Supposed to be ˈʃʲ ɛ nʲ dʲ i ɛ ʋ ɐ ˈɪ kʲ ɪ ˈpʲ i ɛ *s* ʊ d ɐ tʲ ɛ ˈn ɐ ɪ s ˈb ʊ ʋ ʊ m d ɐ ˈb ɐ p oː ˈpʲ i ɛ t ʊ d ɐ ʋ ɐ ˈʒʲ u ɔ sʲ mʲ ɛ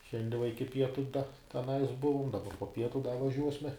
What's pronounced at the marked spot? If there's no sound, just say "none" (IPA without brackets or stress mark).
t